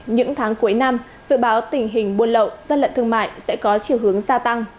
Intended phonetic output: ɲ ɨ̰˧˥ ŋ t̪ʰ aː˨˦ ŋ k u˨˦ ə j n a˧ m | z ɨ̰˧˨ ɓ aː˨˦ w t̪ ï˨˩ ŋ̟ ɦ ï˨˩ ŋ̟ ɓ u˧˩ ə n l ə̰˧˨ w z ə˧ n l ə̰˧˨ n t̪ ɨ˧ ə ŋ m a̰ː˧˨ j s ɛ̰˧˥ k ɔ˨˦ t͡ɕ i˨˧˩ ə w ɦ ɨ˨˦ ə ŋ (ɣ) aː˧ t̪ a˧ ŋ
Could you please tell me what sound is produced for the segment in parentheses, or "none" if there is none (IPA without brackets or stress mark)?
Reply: z